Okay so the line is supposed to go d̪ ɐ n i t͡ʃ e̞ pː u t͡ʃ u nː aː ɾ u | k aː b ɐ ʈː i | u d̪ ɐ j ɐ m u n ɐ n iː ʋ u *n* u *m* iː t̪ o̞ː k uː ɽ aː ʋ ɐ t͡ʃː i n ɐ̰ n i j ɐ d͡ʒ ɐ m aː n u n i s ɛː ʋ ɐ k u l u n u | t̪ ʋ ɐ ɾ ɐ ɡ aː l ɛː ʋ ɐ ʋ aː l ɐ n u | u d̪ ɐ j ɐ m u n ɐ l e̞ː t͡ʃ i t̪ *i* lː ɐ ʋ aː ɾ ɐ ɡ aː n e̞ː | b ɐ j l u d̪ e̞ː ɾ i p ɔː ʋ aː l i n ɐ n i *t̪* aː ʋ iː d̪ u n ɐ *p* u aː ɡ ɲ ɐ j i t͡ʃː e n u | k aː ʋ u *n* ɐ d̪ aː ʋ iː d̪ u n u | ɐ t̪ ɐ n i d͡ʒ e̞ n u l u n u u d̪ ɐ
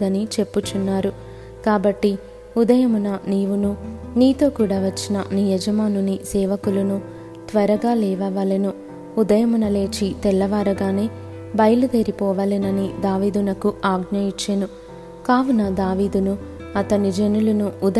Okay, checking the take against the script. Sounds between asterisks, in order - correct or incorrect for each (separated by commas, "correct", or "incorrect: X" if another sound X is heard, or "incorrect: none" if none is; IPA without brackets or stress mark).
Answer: correct, incorrect: n, incorrect: ɛ, incorrect: d̪, incorrect: k, correct